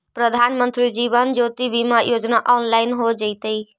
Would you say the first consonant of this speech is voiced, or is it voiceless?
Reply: voiceless